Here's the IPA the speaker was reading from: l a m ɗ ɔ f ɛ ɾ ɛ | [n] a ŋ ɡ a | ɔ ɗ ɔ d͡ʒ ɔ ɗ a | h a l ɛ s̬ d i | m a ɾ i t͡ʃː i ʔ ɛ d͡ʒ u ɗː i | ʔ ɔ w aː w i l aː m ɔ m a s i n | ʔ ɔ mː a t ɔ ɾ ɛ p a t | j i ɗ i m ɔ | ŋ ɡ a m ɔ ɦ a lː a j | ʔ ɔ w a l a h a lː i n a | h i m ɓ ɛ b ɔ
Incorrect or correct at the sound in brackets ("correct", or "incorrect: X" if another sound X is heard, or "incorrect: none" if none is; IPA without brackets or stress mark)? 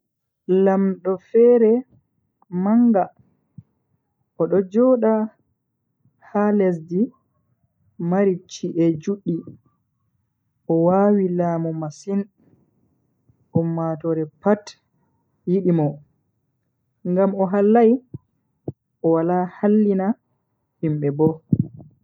incorrect: m